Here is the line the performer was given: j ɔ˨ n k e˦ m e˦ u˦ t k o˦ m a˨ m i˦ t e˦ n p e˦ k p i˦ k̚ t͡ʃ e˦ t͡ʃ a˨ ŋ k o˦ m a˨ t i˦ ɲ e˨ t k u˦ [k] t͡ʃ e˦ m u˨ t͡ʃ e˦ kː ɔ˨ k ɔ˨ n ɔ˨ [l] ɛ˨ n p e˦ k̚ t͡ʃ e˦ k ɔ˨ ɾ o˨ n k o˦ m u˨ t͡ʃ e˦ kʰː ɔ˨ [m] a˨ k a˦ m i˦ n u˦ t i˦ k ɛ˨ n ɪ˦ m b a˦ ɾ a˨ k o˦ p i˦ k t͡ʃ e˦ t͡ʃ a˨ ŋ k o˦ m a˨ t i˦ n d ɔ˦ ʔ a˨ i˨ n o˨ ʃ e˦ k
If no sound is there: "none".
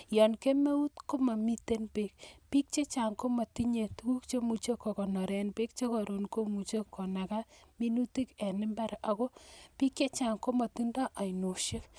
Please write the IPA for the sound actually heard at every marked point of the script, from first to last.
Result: k, ɾ, n

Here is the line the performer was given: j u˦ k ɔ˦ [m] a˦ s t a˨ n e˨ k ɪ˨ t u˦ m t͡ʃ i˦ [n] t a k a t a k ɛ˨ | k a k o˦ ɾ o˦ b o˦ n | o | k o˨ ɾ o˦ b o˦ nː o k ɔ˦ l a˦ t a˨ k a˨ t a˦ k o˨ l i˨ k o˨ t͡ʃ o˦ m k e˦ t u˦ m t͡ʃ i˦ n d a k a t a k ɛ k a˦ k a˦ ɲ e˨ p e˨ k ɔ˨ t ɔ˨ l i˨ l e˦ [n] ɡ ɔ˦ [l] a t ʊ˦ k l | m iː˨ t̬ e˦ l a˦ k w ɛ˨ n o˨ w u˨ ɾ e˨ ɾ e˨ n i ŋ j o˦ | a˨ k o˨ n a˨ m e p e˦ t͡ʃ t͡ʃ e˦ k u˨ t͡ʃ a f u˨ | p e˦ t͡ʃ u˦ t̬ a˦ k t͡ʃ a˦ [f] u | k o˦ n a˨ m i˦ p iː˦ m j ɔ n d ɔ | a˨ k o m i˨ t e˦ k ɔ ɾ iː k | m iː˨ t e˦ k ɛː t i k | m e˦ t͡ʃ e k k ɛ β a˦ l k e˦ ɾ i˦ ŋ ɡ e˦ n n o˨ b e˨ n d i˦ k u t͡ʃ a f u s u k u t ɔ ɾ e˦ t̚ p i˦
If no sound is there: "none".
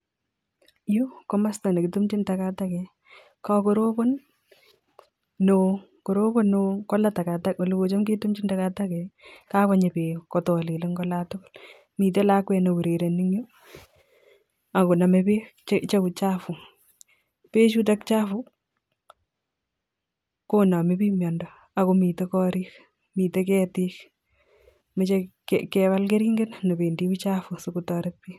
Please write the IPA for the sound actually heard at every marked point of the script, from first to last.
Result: m, n, ŋ, l, f

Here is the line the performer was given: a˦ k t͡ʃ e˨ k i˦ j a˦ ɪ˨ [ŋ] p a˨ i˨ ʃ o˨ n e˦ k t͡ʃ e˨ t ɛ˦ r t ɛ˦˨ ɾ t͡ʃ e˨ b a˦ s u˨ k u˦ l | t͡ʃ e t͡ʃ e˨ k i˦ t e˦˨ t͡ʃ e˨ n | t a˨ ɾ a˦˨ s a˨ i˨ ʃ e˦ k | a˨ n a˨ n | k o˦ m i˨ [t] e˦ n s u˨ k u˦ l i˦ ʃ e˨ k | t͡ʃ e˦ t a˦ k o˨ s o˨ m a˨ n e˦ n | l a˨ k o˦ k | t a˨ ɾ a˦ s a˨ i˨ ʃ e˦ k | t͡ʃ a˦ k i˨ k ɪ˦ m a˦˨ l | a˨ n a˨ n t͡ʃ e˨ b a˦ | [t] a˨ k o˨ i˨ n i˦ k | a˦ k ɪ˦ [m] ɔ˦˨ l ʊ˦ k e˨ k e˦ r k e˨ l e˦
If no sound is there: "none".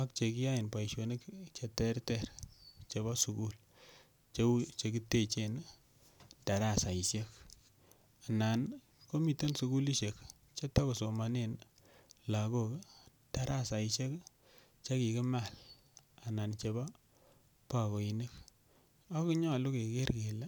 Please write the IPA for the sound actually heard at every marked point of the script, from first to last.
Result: n, t, p, ɲ

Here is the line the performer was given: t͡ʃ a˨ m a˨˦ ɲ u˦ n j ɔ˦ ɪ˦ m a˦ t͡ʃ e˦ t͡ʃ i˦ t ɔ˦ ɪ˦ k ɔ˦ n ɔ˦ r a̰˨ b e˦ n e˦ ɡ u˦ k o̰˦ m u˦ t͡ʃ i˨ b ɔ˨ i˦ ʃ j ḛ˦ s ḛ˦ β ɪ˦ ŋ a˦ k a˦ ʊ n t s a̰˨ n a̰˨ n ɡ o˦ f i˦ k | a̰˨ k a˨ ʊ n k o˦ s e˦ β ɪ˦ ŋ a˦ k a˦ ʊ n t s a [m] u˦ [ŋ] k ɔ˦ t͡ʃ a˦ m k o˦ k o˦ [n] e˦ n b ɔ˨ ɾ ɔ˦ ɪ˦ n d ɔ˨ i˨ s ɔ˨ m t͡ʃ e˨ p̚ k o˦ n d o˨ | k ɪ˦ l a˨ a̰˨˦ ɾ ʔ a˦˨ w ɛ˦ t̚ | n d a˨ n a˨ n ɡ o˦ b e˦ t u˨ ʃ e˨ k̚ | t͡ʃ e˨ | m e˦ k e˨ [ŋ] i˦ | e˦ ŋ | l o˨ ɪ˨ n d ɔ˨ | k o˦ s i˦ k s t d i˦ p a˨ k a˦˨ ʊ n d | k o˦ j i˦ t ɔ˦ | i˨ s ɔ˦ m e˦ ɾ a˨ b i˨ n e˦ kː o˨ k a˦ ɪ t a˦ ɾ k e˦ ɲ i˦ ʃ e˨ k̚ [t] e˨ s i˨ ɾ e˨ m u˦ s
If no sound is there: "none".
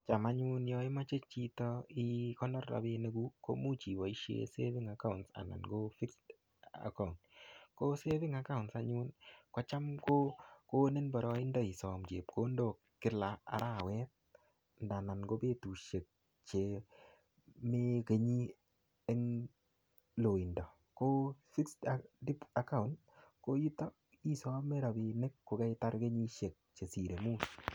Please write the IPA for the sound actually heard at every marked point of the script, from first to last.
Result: ɲ, n, n, ɲ, t͡ʃ

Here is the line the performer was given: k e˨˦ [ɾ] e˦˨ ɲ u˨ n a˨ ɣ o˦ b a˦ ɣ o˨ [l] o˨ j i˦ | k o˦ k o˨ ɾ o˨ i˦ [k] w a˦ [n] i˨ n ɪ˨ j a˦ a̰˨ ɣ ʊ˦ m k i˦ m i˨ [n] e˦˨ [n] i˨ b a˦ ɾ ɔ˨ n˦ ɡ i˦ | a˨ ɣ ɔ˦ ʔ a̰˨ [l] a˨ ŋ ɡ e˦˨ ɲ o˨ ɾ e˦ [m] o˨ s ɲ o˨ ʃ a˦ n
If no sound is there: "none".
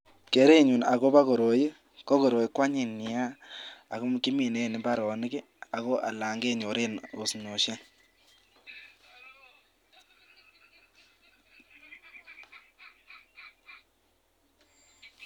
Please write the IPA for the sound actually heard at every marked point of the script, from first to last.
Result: ɾ, ɾ, k, ɲ, n, n, l, n

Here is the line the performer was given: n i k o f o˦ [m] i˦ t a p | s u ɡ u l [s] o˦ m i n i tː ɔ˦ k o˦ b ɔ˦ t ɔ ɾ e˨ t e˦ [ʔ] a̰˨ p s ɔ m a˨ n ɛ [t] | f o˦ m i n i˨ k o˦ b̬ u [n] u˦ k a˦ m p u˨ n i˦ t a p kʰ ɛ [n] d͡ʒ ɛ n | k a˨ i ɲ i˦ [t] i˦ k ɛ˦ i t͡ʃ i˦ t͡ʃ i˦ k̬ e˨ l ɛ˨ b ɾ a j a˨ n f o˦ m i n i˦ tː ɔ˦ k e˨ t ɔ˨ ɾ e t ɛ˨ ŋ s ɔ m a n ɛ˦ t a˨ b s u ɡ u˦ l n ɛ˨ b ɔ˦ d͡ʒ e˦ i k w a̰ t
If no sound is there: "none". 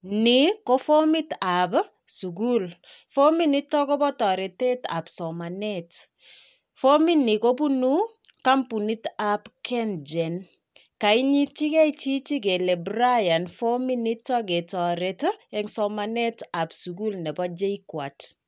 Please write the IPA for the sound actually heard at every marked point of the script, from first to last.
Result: m, f, t, t, n, n, t͡ʃ

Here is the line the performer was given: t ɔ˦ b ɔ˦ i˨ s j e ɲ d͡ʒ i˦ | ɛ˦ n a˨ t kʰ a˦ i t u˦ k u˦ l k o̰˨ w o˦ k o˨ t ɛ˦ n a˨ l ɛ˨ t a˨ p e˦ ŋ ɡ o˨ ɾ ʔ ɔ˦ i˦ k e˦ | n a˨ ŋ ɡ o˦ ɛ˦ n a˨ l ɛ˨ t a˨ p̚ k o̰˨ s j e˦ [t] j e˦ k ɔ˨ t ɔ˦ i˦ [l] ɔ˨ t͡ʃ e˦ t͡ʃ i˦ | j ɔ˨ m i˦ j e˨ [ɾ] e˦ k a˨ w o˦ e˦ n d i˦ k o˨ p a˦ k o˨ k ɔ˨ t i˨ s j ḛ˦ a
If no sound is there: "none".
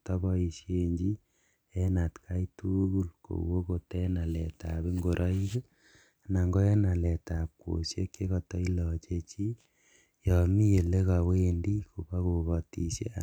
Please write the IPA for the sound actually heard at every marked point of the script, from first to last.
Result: k, l, l

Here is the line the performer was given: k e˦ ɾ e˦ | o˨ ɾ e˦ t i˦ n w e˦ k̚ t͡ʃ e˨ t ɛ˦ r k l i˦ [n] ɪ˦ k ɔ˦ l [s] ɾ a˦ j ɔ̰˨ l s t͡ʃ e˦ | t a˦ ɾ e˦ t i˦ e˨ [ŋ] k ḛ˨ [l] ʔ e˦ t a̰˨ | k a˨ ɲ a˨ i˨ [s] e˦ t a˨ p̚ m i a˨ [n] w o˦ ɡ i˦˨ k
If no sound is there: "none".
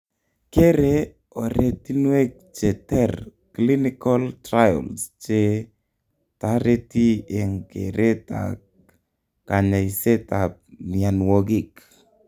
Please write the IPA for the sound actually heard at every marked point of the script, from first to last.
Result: n, t, ŋ, ɾ, s, n

